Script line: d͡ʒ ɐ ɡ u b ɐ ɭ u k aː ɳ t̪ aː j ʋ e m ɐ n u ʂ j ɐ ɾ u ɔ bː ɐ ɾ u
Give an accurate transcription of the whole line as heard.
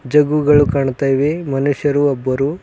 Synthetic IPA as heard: d͡ʒ ɐ ɡ u ɡ ɐ ɭ u k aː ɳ t̪ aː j ʋ e m ɐ n u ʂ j ɐ ɾ u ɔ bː ɐ ɾ u